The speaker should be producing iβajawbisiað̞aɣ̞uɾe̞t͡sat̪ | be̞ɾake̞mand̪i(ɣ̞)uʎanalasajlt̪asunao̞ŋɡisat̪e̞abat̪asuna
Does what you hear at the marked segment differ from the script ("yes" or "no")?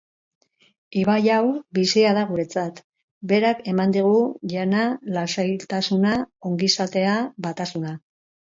no